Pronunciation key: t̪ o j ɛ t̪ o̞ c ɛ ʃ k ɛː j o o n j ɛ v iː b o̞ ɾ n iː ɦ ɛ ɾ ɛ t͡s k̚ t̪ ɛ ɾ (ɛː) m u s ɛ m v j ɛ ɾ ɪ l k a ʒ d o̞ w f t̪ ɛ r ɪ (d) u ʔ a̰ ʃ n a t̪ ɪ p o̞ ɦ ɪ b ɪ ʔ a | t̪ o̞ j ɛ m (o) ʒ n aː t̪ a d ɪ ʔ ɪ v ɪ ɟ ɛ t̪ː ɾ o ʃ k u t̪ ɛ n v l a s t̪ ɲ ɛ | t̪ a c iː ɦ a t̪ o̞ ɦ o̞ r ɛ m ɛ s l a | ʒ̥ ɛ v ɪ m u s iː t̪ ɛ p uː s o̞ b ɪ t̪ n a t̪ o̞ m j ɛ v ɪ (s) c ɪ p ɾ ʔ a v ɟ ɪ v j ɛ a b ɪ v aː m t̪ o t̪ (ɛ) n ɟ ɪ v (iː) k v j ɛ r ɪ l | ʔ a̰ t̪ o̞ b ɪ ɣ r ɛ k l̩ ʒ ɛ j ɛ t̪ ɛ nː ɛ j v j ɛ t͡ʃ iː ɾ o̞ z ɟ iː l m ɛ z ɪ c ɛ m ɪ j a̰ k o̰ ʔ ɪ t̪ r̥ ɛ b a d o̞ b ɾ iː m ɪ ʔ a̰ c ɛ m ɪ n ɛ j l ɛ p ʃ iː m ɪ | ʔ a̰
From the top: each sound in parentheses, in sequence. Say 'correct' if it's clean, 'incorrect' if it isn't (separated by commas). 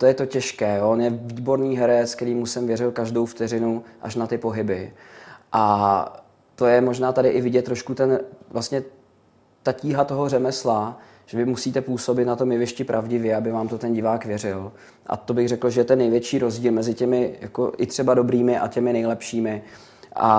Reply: incorrect, incorrect, correct, incorrect, correct, incorrect